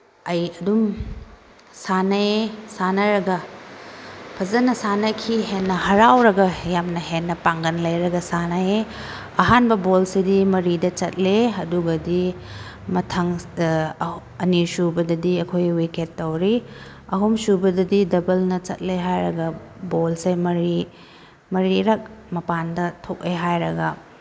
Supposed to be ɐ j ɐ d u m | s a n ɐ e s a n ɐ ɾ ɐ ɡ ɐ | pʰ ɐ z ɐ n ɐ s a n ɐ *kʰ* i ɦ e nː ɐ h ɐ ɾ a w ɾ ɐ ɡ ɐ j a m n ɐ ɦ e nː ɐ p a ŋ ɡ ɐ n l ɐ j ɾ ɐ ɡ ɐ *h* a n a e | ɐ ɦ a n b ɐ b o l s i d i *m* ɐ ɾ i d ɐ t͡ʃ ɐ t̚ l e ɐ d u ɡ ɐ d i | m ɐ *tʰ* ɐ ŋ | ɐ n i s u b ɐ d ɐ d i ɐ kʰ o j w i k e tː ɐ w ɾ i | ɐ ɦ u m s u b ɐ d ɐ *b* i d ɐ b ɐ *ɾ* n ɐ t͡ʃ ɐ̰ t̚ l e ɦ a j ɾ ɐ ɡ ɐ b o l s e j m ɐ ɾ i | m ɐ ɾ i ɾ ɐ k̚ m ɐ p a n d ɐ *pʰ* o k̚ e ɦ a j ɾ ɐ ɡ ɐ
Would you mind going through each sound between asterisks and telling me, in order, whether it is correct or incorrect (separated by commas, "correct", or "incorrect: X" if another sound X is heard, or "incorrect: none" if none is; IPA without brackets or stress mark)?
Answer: correct, incorrect: s, correct, correct, incorrect: d, incorrect: l, incorrect: tʰ